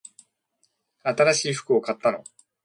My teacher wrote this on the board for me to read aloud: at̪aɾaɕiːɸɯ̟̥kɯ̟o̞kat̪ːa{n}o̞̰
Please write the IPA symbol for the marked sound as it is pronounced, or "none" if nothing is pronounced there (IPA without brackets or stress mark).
n